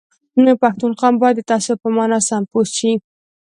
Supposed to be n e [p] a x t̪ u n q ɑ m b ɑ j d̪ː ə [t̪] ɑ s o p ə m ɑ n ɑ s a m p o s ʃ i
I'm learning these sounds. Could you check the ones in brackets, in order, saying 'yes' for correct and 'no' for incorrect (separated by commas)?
yes, yes